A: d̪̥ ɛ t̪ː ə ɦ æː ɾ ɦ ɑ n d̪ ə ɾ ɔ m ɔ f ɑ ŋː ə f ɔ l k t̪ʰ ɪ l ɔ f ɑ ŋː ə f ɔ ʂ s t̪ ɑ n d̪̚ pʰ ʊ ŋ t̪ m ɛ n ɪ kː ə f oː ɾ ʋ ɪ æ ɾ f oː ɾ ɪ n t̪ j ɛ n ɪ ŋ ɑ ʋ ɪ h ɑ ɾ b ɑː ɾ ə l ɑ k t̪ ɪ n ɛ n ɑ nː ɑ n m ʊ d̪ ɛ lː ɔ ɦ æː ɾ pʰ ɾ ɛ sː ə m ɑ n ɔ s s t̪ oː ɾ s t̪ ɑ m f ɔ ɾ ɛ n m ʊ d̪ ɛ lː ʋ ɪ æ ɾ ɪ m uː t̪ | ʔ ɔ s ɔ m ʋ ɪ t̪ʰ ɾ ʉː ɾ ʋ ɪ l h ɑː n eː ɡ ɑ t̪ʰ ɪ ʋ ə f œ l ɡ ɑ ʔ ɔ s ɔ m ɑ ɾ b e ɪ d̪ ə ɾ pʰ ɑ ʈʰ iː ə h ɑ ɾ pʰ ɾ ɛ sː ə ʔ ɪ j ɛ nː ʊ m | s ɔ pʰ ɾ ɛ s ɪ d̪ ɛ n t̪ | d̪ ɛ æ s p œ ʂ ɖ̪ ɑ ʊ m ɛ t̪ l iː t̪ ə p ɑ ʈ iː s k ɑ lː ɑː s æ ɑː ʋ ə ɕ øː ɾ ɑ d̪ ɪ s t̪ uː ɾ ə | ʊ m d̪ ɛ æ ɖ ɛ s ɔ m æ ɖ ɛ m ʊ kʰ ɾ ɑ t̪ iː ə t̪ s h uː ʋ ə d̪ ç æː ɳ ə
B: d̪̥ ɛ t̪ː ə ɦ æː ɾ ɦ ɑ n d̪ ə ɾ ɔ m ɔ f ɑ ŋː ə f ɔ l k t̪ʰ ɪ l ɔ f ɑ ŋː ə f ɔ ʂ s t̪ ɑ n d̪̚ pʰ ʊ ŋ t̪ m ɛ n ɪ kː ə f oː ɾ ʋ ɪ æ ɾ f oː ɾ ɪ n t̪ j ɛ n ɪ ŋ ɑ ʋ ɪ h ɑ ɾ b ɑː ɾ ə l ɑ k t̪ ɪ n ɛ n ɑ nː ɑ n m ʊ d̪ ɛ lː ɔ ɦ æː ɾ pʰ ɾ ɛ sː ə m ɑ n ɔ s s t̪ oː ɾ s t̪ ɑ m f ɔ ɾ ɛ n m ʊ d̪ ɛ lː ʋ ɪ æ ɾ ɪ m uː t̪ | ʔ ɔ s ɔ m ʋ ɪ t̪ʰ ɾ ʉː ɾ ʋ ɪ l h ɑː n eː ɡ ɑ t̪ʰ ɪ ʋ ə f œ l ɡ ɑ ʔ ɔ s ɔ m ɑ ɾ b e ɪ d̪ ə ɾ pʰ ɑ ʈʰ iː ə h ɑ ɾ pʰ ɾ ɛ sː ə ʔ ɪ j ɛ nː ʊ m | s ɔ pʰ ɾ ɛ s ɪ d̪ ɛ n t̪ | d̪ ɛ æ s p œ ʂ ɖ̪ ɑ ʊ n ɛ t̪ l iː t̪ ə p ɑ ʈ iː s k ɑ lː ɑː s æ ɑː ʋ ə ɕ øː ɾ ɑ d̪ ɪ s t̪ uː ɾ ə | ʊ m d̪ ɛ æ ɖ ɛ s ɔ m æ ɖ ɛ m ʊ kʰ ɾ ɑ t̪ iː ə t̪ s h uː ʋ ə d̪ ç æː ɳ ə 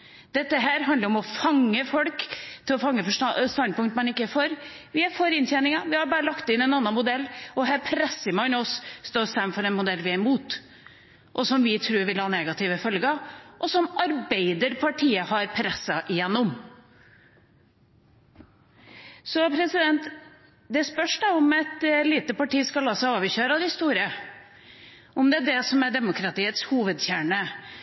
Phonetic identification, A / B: A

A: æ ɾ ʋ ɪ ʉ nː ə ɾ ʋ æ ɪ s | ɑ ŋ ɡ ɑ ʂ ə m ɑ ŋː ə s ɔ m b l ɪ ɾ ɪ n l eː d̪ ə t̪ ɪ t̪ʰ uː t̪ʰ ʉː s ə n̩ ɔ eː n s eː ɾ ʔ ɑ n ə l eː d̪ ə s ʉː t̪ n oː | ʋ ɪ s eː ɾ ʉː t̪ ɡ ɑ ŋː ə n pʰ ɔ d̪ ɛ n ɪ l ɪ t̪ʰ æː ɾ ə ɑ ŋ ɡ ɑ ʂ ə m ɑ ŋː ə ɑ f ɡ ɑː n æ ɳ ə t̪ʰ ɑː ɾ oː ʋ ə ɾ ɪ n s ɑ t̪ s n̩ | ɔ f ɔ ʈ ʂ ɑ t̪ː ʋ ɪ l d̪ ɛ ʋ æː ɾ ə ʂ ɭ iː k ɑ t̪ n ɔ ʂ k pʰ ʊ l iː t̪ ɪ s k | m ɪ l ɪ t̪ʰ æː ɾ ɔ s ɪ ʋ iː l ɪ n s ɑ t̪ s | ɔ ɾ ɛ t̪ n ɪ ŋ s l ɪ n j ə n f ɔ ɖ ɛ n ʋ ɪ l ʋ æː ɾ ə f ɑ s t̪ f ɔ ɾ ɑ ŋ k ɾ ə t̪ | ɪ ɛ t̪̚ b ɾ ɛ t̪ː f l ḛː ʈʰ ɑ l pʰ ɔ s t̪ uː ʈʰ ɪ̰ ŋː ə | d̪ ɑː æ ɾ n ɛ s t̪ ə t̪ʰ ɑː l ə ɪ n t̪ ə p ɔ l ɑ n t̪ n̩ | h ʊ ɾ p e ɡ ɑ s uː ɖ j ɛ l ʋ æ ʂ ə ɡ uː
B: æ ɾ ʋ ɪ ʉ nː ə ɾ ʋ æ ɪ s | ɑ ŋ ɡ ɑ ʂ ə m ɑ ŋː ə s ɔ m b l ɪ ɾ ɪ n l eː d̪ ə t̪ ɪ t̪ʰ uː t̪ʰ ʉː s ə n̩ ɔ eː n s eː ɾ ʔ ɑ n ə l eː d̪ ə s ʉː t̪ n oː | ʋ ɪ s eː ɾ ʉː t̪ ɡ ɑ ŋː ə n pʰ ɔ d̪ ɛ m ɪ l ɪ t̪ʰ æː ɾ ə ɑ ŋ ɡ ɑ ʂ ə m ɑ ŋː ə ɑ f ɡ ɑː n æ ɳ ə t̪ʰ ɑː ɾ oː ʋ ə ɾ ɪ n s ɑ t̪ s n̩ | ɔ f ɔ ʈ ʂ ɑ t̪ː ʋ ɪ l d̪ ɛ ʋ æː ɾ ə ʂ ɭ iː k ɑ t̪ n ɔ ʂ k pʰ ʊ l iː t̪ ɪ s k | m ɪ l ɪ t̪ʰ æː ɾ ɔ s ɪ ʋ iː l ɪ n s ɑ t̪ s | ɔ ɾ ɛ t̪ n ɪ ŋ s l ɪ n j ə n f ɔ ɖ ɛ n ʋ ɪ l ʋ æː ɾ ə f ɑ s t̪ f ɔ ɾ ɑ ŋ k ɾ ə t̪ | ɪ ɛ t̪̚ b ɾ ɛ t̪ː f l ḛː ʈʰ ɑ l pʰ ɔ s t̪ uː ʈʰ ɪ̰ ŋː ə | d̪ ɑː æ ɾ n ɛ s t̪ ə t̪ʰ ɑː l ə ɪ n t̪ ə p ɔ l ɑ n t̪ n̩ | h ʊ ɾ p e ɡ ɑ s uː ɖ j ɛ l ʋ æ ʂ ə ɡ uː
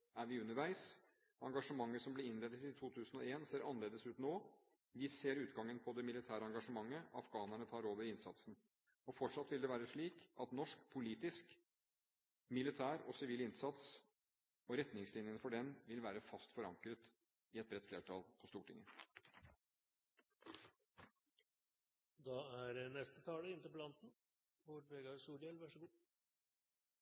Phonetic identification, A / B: B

